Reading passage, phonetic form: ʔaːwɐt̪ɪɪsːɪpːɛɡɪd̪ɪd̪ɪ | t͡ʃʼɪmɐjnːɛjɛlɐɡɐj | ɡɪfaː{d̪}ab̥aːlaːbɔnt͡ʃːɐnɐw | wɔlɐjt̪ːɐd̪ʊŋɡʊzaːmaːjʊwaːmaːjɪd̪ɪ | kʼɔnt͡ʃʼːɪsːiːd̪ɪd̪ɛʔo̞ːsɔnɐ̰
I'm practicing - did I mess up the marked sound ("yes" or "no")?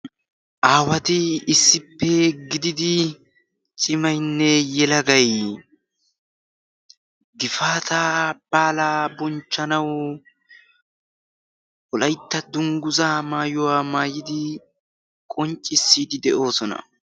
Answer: yes